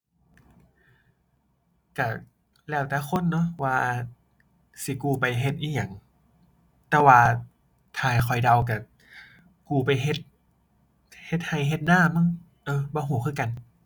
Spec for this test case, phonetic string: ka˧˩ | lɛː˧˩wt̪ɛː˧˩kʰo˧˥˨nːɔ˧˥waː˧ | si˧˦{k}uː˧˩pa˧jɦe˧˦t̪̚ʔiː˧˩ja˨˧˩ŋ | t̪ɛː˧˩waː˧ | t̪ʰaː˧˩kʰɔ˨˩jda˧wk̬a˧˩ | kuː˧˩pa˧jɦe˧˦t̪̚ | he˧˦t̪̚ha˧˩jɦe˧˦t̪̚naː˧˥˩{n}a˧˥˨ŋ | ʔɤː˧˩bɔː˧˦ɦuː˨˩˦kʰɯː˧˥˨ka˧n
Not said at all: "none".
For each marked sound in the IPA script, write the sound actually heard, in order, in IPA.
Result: k, m

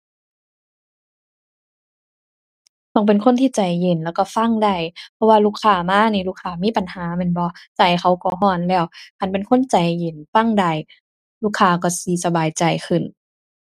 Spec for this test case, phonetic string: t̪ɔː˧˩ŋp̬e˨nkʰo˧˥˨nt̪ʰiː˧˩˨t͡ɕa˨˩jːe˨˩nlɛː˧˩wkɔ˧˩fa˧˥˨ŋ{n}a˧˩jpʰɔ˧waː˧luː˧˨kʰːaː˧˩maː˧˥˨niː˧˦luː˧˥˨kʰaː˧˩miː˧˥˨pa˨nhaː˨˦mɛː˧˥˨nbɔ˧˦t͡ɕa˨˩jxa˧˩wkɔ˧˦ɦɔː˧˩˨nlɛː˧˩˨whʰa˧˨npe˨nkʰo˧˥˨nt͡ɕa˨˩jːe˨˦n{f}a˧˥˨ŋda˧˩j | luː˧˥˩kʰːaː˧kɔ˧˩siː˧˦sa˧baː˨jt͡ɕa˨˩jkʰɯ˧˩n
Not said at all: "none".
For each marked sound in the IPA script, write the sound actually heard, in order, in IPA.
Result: d, f

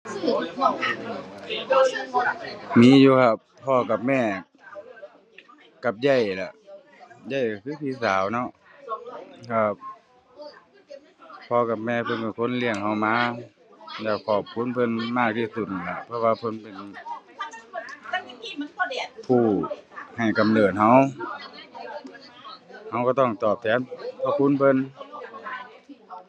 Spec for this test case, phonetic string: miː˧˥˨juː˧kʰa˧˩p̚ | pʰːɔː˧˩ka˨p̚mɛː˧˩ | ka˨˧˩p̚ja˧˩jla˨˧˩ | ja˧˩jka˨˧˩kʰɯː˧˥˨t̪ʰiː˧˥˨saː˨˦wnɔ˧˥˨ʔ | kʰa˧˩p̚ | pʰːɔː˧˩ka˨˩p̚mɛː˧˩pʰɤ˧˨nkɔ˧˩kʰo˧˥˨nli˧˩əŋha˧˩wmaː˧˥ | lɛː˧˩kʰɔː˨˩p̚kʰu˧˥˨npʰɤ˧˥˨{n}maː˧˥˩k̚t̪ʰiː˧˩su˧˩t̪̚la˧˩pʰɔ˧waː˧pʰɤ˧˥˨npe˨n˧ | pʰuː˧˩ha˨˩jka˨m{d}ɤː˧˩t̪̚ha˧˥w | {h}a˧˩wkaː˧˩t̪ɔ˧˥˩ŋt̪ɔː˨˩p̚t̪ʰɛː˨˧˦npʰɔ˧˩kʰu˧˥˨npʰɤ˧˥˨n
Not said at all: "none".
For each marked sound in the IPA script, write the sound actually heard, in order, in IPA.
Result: n, n, h

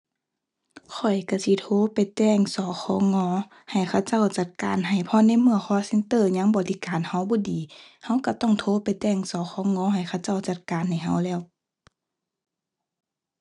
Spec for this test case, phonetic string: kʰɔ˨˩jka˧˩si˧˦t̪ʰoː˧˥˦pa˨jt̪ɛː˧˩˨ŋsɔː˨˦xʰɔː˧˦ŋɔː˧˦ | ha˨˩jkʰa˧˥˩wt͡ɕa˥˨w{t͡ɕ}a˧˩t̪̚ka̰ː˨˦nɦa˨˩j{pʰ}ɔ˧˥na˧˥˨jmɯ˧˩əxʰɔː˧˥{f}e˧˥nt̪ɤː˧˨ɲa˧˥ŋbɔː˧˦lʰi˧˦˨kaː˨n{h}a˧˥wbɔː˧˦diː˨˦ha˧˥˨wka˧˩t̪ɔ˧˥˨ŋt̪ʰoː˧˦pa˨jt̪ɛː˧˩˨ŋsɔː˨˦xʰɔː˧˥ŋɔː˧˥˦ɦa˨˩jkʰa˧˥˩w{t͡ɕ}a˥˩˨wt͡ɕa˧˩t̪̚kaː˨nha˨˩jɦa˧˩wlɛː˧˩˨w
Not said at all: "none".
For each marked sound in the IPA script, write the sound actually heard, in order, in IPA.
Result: t͡ɕ, pʰ, s, h, t͡ɕ

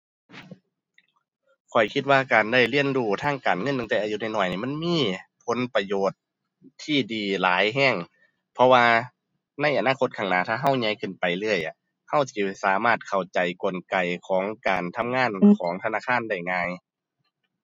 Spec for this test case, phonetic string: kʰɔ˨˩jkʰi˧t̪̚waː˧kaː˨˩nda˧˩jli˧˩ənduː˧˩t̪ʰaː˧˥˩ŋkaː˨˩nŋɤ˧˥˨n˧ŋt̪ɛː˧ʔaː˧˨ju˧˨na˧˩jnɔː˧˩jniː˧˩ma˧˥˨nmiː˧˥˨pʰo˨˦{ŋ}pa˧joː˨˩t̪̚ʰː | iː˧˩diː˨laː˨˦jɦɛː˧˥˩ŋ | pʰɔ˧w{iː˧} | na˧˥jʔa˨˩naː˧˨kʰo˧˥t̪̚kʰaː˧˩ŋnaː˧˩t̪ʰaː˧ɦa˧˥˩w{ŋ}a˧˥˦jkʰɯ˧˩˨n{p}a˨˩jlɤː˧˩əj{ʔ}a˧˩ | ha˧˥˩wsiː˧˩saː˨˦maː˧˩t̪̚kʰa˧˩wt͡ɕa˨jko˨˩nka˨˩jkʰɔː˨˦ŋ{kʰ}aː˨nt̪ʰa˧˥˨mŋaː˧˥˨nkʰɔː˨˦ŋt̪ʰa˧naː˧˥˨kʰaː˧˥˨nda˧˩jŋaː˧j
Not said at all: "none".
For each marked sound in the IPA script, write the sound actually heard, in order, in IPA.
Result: n, aː˧, ɲ, p, ʔ, k

